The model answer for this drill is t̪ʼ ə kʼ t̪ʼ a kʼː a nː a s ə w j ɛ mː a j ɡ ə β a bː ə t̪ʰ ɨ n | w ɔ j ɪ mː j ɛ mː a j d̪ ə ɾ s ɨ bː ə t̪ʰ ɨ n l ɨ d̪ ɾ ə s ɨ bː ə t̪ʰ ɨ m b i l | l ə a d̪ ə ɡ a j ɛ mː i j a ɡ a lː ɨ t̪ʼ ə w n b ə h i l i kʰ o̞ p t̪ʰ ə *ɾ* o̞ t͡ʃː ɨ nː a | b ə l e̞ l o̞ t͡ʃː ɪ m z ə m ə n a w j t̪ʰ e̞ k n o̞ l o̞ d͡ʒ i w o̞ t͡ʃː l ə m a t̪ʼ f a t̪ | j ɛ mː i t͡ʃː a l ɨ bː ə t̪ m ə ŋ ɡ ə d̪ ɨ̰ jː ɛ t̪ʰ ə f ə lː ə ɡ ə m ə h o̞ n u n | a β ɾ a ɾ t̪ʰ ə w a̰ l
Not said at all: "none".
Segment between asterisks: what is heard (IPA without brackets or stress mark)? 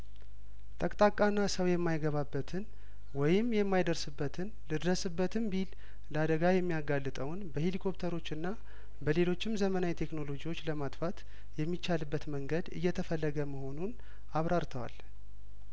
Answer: ɾ